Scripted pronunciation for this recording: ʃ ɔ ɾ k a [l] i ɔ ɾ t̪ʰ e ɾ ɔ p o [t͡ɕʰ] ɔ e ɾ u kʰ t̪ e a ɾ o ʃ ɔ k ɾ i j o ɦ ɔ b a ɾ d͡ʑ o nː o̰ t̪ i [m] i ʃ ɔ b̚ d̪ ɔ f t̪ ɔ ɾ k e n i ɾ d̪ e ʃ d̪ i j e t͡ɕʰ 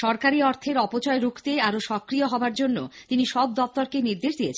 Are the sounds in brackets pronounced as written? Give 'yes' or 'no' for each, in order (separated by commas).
no, no, no